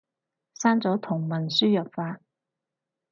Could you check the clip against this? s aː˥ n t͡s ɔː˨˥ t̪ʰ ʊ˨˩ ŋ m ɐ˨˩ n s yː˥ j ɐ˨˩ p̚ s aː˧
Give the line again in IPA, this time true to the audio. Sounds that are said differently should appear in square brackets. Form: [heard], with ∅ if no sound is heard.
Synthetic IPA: s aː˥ n t͡s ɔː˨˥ t̪ʰ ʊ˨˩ ŋ m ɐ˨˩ n s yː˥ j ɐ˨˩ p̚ [f] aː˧